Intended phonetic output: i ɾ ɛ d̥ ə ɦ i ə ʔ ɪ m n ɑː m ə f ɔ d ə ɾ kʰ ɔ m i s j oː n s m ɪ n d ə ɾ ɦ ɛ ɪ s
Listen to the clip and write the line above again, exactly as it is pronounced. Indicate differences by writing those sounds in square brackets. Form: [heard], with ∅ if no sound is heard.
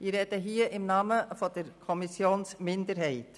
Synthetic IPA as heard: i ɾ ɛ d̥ ə ɦ [iː] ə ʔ ɪ m n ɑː m ə f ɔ d ə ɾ kʰ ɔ m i s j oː n s m ɪ n d ə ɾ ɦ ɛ ɪ [t]